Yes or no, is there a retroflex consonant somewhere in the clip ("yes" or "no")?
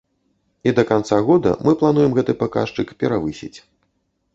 yes